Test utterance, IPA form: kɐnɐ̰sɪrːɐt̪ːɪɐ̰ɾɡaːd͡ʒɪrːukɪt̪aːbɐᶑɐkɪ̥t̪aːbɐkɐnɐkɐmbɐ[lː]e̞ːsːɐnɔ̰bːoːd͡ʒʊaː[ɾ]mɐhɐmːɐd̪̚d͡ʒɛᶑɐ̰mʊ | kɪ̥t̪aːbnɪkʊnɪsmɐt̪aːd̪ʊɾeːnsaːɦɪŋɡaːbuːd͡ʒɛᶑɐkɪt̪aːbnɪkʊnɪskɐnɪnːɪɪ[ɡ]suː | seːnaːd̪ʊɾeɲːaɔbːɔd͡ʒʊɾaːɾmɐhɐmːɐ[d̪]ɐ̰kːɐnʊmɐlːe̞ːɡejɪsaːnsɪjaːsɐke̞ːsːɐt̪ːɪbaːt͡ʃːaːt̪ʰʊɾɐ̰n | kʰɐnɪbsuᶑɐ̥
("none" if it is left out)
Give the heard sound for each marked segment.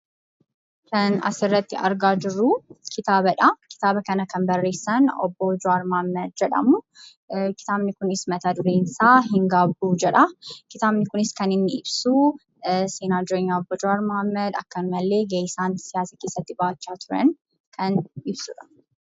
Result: rː, ɾ, b, d̪

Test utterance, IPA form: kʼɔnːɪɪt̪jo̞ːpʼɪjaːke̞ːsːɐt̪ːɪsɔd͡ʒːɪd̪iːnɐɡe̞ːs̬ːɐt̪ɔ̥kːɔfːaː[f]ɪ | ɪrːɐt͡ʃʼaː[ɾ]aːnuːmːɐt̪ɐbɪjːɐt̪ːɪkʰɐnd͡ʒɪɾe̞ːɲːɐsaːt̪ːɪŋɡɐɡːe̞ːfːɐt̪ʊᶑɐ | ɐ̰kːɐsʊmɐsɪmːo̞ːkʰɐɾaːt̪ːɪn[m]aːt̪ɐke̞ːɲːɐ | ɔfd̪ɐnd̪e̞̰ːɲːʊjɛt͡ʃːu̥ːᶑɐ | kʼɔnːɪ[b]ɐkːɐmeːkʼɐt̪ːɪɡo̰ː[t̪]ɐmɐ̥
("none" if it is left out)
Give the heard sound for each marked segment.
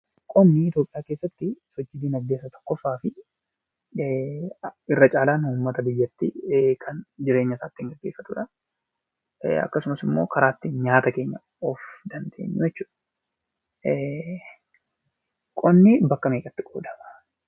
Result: f, l, ɲ, b, d̪

